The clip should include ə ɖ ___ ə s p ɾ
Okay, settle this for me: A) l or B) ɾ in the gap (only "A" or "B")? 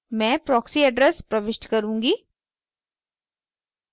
B